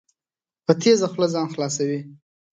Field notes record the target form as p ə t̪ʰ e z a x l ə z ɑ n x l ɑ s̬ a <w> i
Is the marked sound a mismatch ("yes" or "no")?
no